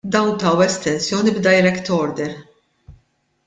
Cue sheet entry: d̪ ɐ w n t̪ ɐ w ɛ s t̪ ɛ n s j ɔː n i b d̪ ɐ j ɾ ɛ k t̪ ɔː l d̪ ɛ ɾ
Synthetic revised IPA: d̪ ɐ w n t̪ ɐ w ɛ s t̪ ɛ n s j ɔː n i b d̪ ɐ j ɾ ɛ k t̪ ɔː ɾ d̪ ɛ ɾ

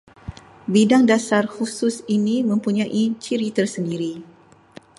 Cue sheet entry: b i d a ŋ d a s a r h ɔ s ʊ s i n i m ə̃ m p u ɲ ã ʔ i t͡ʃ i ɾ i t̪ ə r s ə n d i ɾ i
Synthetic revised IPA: b i d a ŋ d a s a r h u s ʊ s i n i m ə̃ m p u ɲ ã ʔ i t͡ʃ i ɾ i t̪ ə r s ə n d i ɾ i

